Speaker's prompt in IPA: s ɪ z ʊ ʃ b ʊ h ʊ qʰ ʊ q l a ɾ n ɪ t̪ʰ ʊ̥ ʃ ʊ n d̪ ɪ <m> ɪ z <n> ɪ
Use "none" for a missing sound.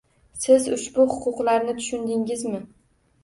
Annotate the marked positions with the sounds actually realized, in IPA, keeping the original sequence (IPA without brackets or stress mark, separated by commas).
ŋ, m